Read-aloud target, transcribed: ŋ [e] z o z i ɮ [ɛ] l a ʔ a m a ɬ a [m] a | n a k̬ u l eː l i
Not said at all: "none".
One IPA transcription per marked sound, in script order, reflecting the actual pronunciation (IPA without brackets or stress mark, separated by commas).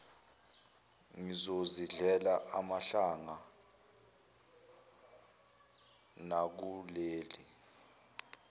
i, ɛ, ŋ